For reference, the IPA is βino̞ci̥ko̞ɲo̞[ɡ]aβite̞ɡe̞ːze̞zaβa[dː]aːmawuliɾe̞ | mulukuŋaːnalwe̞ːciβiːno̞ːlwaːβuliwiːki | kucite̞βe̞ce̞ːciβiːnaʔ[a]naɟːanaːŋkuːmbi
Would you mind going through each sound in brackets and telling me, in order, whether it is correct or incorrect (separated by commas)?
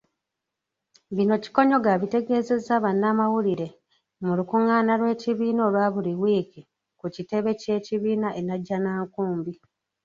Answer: correct, incorrect, incorrect